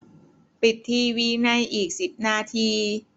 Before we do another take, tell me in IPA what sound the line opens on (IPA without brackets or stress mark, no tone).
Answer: p